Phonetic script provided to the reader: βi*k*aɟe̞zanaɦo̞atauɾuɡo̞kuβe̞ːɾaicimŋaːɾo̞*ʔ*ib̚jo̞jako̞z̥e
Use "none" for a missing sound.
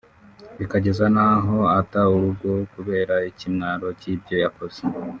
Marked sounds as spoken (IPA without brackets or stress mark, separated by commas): k, c